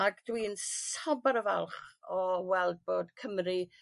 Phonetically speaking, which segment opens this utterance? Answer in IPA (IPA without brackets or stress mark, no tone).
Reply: a